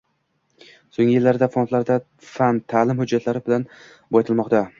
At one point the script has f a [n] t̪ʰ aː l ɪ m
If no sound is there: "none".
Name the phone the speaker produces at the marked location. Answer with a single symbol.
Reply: n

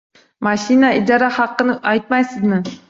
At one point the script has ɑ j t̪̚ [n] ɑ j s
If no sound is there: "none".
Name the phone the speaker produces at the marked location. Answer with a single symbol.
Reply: m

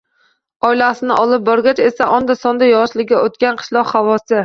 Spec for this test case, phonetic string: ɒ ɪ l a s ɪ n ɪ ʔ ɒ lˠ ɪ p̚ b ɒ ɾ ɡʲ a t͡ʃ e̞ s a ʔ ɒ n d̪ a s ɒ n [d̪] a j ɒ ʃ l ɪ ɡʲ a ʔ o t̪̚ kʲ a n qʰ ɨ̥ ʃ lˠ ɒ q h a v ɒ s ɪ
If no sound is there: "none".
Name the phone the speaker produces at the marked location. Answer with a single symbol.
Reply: d̪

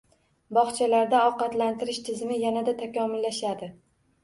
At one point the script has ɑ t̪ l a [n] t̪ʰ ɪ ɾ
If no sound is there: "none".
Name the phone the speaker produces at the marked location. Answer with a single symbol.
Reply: n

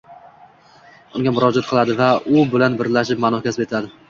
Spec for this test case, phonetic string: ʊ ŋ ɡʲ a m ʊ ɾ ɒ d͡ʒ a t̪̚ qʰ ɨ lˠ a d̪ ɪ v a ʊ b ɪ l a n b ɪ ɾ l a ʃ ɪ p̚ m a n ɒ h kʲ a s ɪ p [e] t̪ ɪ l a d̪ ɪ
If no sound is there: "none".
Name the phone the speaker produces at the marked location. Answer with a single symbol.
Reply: e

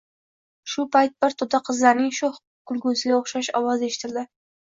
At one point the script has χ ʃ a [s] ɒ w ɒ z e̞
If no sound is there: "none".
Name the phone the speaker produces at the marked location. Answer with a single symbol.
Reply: ʃ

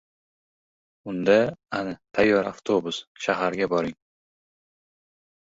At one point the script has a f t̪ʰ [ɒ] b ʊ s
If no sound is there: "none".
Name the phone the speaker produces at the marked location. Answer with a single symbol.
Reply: o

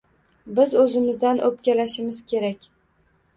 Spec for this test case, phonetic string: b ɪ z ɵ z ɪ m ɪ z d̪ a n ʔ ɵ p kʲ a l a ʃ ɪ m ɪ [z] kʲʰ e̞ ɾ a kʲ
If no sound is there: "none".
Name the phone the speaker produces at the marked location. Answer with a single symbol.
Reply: z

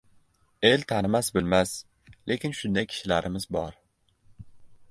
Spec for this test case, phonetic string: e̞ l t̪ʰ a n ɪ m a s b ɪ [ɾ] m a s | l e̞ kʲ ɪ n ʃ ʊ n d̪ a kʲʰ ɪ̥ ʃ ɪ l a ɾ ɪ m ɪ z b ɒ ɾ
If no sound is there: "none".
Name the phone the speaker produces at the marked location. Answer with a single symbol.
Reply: l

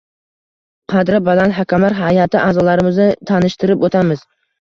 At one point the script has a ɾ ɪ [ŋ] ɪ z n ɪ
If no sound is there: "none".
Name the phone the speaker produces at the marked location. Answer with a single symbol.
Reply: m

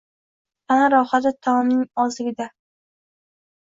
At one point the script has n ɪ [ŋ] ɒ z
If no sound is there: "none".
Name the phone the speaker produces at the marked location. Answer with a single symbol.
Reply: ŋ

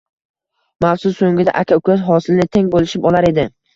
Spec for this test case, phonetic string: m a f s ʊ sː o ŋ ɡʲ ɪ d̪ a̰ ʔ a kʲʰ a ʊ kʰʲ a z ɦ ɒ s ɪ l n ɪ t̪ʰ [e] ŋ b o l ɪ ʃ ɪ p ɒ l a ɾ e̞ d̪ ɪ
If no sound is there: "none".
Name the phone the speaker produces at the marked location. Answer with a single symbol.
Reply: e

